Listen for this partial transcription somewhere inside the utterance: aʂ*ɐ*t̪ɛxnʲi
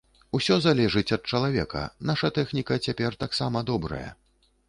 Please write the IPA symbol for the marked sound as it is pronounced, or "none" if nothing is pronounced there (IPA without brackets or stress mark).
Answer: ɐ